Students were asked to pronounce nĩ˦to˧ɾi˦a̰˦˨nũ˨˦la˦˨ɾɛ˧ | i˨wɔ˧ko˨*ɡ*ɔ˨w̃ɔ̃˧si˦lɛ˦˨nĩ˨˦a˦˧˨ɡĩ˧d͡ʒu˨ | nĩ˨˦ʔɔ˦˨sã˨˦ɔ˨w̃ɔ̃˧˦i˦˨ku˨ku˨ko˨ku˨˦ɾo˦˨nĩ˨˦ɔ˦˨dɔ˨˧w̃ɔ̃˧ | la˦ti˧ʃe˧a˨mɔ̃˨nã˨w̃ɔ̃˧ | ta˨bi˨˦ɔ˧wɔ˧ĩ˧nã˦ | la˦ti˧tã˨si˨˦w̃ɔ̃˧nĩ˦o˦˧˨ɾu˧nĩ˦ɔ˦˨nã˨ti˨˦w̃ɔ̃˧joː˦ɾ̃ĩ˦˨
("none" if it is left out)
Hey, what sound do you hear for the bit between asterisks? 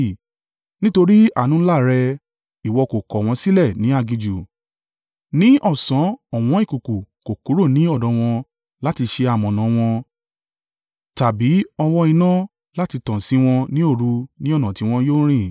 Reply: k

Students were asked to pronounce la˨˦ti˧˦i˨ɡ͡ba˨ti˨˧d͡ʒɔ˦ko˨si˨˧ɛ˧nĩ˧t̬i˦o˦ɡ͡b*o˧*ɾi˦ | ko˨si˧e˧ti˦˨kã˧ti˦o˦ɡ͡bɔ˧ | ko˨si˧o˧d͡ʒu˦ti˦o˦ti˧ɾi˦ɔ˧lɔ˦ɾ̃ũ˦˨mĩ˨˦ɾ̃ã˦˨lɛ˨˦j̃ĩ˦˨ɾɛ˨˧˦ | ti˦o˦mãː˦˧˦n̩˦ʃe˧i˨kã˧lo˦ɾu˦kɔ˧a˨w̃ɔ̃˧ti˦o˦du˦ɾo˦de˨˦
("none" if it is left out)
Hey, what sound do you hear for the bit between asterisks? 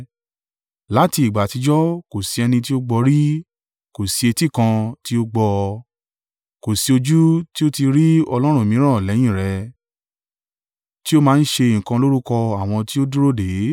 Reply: ɔ˧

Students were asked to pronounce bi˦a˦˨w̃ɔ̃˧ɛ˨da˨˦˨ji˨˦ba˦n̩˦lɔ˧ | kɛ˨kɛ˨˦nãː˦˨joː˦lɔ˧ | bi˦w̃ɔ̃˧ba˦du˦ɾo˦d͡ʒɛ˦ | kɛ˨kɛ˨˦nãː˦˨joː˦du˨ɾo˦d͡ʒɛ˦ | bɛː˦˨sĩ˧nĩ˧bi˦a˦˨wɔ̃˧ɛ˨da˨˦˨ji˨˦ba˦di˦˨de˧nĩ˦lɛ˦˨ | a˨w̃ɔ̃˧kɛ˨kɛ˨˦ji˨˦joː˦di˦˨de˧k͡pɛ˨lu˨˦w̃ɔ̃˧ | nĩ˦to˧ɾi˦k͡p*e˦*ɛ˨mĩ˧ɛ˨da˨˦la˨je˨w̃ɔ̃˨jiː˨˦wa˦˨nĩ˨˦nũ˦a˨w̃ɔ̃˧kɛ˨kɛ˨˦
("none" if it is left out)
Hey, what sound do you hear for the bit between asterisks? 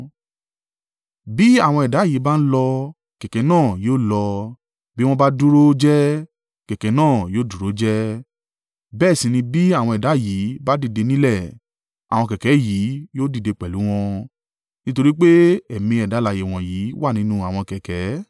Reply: e˦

